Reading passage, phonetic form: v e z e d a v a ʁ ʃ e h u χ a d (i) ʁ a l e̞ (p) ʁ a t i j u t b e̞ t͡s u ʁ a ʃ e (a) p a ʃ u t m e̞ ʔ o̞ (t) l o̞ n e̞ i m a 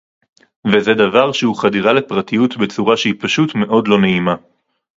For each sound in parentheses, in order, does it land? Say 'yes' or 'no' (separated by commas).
yes, yes, no, no